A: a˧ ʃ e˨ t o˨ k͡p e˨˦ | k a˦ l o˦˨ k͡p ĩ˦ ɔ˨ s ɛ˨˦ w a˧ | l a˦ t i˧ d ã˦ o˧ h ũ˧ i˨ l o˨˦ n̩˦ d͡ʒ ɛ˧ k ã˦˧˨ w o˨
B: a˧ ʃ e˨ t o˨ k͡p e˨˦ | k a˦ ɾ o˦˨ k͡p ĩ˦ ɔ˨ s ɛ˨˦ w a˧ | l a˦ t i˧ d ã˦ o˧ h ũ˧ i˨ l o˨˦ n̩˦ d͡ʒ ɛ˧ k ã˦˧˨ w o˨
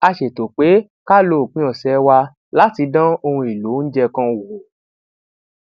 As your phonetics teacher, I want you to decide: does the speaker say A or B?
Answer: A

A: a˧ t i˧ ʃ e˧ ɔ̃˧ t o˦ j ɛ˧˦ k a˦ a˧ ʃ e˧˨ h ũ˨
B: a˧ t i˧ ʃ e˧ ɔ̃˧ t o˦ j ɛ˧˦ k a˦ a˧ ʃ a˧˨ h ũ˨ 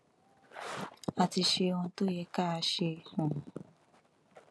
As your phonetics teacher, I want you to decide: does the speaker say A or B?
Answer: A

